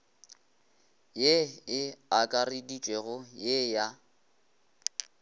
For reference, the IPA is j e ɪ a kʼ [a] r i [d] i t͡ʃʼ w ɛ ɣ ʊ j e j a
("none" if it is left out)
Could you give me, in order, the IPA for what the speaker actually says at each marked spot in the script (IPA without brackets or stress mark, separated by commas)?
a, d